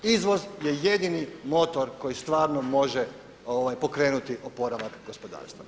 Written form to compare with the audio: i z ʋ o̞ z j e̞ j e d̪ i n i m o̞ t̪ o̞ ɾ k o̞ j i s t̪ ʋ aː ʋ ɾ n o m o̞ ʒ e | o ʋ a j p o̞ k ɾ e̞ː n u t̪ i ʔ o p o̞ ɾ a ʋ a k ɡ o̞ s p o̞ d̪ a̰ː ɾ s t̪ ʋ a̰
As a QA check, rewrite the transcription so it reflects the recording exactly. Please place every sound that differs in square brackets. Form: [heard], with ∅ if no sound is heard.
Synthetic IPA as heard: i z ʋ o̞ z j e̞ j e d̪ i n i m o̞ t̪ o̞ ɾ k o̞ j i s t̪ ʋ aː [∅] ɾ n o m o̞ ʒ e | o ʋ a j p o̞ k ɾ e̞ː n u t̪ i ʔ o p o̞ ɾ a ʋ a k ɡ o̞ s p o̞ d̪ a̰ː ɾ s t̪ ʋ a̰